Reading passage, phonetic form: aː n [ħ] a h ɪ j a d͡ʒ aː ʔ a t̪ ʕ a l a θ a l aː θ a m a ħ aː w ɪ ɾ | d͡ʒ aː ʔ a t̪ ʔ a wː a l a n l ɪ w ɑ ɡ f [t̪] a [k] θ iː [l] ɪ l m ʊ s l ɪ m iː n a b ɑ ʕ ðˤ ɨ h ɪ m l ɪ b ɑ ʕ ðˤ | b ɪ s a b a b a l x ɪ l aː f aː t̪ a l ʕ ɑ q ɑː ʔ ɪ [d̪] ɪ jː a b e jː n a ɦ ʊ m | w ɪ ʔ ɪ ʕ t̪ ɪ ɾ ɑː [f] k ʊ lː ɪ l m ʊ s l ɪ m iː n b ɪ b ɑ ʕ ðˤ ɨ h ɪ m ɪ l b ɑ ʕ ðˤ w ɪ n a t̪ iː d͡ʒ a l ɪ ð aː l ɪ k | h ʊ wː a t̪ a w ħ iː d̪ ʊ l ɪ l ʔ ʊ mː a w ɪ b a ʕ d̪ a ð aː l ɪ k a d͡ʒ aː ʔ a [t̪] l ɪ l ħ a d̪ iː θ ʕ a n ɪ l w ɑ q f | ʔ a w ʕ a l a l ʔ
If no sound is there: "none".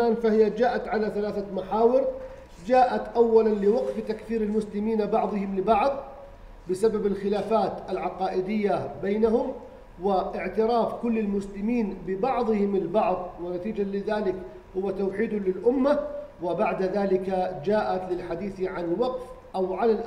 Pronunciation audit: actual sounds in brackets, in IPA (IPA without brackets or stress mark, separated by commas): f, t̪, k, ɾ, d̪, f, t̪